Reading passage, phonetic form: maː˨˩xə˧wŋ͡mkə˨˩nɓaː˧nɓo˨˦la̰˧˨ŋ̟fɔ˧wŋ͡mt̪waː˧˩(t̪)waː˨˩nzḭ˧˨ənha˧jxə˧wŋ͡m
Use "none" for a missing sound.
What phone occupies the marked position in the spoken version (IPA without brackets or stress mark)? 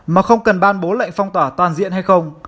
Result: t̪